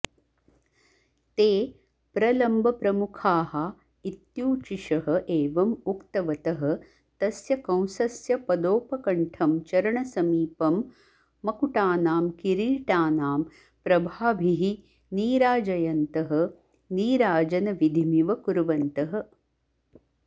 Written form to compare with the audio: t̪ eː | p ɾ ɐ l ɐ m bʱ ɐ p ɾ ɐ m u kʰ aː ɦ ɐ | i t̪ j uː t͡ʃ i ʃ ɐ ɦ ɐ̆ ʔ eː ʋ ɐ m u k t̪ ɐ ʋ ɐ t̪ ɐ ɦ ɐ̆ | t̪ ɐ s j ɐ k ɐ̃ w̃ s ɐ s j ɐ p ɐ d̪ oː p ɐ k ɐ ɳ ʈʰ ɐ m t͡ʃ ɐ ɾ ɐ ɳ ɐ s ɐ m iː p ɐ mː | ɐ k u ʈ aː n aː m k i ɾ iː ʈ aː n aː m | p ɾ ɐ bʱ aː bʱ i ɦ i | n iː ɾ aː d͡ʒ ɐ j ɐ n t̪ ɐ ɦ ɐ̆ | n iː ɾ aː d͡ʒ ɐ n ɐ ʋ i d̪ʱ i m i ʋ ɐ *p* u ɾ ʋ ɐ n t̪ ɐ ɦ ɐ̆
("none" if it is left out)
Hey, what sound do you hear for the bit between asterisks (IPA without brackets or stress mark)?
k